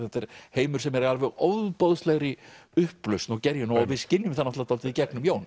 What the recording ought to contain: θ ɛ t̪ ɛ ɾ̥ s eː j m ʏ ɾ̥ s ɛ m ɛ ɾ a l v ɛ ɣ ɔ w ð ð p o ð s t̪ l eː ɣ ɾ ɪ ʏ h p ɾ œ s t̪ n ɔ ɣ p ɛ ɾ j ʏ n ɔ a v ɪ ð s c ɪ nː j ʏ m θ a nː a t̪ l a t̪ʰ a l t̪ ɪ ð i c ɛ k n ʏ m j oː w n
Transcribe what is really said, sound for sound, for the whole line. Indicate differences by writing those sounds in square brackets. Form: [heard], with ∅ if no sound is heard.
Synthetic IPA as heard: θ ɛ t̪ ɛ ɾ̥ [h] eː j m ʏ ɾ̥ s ɛ m ɛ ɾ a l v ɛ ɣ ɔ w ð ð p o ð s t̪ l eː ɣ ɾ ɪ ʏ h p [l] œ s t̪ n ɔ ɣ [c] ɛ ɾ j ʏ n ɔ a v ɪ ð s c ɪ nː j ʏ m θ a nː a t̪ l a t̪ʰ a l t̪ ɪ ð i c ɛ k n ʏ m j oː w n